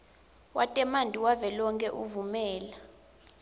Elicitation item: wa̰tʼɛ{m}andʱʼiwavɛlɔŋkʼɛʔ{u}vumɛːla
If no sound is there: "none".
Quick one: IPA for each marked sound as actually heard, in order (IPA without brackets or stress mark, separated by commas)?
m, u